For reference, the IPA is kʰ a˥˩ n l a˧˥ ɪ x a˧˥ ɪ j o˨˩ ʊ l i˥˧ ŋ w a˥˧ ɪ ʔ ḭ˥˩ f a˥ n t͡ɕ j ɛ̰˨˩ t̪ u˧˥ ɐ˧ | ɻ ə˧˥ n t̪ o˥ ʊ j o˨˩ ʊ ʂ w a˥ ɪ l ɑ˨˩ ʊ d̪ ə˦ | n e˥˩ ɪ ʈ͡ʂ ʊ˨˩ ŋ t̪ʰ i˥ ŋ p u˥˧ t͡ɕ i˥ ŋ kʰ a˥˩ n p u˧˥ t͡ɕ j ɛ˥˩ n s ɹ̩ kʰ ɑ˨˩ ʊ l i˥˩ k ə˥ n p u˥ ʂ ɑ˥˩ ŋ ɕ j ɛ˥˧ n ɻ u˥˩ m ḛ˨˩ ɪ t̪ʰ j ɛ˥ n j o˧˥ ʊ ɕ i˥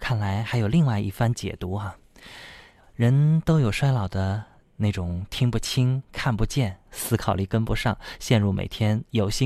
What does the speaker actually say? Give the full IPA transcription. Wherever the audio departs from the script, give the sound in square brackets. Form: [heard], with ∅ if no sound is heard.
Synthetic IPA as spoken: kʰ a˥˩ n l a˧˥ ɪ x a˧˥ ɪ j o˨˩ ʊ l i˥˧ ŋ w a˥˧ ɪ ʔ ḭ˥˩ f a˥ n t͡ɕ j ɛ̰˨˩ t̪ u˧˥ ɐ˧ | ɻ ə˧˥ n t̪ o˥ ʊ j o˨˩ ʊ ʂ w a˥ ɪ l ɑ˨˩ ʊ d̪ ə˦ | n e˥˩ ɪ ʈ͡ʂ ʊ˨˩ ŋ t̪ʰ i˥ ŋ p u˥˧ [t͡ɕʰ] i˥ ŋ kʰ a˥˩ n p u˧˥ t͡ɕ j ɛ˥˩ n s ɹ̩ kʰ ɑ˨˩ ʊ l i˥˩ k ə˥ n p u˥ ʂ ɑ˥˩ ŋ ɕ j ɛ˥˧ n ɻ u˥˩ m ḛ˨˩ ɪ t̪ʰ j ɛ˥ n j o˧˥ ʊ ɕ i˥